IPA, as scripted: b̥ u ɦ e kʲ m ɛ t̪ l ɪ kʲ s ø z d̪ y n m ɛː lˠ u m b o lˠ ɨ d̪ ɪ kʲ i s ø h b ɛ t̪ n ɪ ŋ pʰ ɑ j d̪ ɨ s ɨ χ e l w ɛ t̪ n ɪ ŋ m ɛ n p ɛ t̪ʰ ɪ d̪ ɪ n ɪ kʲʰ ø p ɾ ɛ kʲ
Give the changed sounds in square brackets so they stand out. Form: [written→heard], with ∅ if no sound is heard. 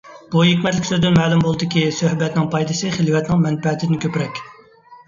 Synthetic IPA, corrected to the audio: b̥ u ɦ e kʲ m ɛ t̪ l ɪ kʲ s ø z d̪ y n m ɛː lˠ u m b o lˠ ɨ d̪ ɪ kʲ i s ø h b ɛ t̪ n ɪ ŋ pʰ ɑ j d̪ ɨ s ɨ χ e l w ɛ t̪ n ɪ ŋ m ɛ n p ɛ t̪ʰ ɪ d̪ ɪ n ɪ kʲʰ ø p ɾ ɛ kʲ